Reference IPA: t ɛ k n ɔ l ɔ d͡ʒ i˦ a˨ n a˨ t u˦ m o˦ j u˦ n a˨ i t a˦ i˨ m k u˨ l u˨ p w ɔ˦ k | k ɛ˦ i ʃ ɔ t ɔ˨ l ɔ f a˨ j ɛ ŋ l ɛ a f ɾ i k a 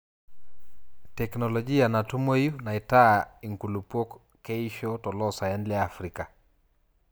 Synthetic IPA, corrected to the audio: t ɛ k n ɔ l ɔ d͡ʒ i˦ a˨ n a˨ t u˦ m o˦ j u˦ n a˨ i t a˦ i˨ ŋ k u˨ l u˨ p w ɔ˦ k | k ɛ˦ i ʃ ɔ t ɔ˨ l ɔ s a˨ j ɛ n l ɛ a f ɾ i k a